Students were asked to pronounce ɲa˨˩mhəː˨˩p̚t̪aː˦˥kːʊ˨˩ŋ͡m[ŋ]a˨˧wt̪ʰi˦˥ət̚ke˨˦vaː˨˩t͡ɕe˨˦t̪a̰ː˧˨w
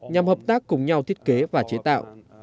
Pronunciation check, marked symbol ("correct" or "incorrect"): incorrect